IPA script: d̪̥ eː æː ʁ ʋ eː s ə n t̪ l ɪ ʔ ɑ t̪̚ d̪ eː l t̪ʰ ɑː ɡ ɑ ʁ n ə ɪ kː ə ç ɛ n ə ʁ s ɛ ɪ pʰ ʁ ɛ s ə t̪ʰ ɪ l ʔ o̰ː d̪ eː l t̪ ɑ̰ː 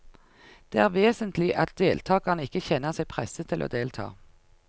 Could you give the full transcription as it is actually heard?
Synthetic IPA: d̪̥ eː æː ʁ ʋ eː s ə n t̪ l ɪ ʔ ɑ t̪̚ d̪ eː l t̪ʰ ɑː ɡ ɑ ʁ n ə ɪ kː ə ç ɛ n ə ʁ s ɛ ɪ pʰ ʁ ɛ s ə t̪ʰ ɪ l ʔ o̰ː d̪ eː l t̪ʰ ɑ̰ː